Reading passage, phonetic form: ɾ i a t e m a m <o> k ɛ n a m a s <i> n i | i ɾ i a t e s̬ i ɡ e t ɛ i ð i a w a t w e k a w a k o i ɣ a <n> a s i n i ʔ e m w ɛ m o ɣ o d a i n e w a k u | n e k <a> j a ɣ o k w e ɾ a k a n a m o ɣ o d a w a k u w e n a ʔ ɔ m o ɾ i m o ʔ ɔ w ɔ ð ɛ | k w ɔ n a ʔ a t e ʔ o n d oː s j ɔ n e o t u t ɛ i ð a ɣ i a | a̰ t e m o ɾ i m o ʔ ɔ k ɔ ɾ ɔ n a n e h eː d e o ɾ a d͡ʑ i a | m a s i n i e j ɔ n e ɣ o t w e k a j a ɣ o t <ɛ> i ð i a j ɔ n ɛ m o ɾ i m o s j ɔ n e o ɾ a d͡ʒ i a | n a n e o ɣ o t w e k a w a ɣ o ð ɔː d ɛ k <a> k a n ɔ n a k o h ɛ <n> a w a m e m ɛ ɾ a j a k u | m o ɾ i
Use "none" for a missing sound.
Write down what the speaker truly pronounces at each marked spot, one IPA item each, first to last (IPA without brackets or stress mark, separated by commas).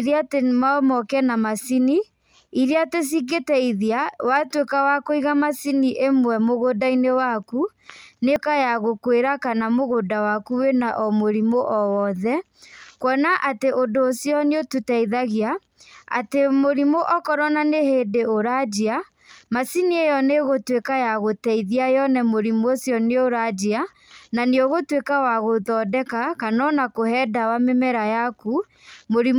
ɔ, i, m, a, ɛ, a, d